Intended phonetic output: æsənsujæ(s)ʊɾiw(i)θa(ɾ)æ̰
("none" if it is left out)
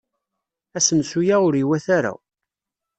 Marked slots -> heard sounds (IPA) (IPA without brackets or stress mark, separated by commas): none, æ, ɾ